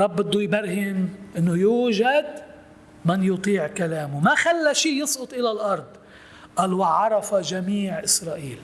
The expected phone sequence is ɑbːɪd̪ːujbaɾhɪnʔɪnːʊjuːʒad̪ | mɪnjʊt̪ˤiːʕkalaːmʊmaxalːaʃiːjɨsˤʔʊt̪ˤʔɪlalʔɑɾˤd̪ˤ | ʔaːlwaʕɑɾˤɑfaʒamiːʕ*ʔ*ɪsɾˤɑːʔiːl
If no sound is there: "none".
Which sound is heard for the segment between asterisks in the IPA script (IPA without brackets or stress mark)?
ʔ